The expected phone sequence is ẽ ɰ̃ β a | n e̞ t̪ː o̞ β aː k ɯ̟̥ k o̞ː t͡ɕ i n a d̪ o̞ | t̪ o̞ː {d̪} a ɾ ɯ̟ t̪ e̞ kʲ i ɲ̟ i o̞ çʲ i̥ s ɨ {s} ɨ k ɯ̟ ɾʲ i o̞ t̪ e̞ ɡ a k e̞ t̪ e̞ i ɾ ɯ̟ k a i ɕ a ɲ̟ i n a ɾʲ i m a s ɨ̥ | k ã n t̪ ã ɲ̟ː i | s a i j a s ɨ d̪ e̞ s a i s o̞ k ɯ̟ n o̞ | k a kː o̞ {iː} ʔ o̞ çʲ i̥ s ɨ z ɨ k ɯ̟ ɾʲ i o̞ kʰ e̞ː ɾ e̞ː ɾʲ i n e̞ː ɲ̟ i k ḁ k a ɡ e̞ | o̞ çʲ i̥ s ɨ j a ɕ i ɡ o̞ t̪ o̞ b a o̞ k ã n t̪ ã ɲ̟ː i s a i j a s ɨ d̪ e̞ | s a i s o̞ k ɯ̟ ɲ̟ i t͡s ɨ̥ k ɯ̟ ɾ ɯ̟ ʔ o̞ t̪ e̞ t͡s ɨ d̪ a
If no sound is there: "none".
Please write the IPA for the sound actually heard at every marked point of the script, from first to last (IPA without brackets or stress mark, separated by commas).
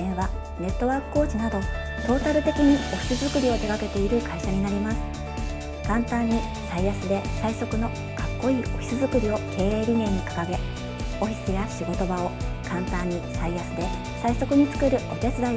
t̪, z, iː